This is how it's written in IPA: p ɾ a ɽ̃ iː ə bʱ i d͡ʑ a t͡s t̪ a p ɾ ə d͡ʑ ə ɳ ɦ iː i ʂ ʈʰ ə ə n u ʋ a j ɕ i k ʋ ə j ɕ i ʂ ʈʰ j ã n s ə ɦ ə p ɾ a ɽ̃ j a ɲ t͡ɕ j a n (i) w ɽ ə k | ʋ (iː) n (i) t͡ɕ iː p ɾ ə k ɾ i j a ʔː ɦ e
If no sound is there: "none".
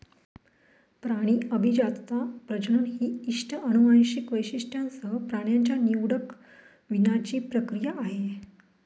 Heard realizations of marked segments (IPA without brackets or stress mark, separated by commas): i, i, a